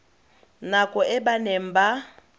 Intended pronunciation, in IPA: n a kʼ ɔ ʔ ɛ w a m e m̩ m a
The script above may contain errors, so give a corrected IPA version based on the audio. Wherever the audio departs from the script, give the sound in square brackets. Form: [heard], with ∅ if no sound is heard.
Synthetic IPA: n a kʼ ɔ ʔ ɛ [b] a [n] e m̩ [b] a